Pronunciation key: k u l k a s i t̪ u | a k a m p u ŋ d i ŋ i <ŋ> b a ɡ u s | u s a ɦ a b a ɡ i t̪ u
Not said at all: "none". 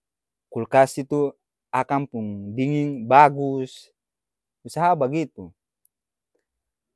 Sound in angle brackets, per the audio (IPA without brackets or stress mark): ŋ